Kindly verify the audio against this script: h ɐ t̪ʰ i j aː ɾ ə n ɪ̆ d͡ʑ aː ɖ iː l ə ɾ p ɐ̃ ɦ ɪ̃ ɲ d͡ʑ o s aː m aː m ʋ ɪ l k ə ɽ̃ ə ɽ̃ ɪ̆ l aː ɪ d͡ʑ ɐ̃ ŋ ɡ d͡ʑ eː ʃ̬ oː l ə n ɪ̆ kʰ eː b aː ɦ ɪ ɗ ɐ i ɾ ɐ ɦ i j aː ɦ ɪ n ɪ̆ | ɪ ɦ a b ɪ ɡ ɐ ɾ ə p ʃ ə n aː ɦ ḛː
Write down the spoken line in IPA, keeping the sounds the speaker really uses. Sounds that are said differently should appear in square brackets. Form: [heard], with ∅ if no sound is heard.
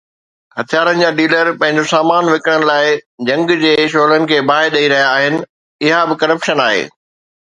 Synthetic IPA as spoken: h ɐ t̪ʰ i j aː ɾ ə n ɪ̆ d͡ʑ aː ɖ iː l ə ɾ p ɐ̃ ɦ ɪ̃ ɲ d͡ʑ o s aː m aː [n] ʋ ɪ [∅] k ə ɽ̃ ə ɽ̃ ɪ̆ l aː ɪ d͡ʑ ɐ̃ ŋ ɡ d͡ʑ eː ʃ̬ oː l ə n ɪ̆ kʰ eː b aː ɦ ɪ ɗ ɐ i ɾ ɐ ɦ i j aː ɦ ɪ n ɪ̆ | ɪ ɦ a b ɪ [k] ɐ ɾ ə p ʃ ə n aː ɦ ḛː